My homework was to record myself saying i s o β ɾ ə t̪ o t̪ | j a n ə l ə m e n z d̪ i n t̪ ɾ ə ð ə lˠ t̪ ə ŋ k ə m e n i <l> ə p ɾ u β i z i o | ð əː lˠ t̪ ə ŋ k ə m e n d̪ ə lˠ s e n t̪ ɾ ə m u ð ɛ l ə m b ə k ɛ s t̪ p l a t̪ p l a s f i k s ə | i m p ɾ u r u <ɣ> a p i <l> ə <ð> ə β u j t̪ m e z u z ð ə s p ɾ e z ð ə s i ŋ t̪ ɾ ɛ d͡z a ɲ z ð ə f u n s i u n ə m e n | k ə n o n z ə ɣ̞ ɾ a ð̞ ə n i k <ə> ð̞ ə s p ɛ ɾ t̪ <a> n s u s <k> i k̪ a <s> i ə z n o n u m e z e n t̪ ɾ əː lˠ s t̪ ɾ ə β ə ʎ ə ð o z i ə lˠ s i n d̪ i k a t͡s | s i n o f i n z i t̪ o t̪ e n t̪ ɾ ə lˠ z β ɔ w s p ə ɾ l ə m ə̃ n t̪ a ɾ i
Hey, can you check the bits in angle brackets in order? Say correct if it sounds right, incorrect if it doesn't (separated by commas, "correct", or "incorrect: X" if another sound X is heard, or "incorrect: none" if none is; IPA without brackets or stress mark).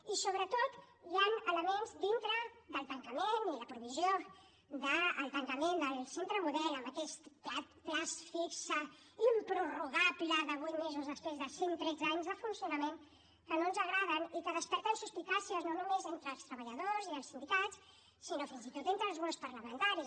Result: correct, correct, correct, correct, correct, incorrect: ə, incorrect: p, correct